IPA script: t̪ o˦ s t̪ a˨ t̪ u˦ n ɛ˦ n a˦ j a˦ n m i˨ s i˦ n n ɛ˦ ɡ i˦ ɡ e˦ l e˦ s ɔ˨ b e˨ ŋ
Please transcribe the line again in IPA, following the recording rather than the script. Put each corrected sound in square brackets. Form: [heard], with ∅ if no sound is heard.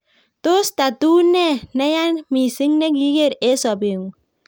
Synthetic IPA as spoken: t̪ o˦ s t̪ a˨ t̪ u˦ n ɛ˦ n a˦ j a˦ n m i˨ s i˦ [ŋ] n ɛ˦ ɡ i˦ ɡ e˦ [ɾ] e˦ s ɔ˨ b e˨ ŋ